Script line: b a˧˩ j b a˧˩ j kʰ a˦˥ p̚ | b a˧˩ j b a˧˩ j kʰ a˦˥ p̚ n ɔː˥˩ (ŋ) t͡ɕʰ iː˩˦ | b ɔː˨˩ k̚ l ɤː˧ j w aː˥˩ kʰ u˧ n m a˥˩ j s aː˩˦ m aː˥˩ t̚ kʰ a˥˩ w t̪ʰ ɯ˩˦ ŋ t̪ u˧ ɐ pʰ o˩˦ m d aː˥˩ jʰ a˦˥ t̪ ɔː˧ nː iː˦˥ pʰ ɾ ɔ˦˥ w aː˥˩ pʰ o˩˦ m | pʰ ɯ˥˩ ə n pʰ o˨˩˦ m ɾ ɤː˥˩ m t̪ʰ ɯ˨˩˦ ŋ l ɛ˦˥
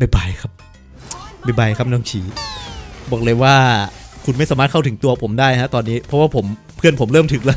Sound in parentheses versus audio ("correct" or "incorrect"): correct